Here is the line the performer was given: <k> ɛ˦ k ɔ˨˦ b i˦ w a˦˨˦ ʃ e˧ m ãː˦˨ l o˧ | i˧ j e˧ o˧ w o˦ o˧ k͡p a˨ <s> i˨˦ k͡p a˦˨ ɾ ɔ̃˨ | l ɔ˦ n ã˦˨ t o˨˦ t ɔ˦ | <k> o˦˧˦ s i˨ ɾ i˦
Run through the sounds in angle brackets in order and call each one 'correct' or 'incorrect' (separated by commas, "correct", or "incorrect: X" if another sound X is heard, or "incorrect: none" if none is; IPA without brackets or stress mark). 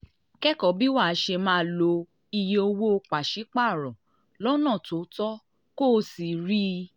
correct, incorrect: ʃ, correct